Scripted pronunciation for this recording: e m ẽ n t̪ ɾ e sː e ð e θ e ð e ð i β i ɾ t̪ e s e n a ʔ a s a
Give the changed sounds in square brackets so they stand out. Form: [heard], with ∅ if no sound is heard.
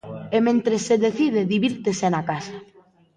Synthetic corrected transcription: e m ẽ n t̪ ɾ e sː e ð e θ [i] ð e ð i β i ɾ t̪ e s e n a [k] a s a